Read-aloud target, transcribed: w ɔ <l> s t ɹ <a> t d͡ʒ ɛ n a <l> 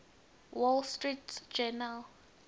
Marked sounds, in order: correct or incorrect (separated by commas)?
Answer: correct, incorrect, correct